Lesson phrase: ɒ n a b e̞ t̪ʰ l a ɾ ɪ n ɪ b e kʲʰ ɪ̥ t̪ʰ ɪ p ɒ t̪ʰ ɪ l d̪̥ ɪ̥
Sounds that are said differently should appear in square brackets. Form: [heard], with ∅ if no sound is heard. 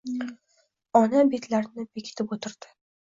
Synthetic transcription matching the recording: ɒ n a b e̞ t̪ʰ l a ɾ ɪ n ɪ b e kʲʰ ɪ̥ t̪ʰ ɪ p [o] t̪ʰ ɪ [ɾ] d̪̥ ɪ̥